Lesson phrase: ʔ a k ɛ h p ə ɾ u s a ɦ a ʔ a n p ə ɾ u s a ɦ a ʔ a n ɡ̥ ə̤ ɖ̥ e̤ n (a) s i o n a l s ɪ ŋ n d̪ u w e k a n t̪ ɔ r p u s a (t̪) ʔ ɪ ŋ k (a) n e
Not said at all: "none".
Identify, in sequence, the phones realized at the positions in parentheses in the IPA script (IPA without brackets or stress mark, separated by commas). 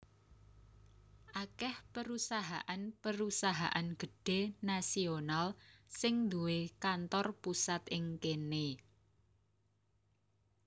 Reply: a, t̪, e